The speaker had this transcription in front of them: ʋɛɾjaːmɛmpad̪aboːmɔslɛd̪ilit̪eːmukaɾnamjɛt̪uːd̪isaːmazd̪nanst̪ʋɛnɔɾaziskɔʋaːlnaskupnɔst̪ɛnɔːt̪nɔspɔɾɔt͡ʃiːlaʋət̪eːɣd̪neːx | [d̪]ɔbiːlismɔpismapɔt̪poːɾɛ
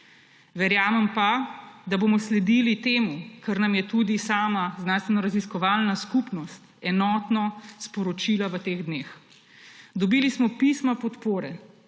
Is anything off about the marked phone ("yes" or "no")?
no